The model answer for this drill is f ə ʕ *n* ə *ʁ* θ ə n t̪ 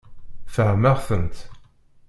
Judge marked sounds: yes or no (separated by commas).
no, yes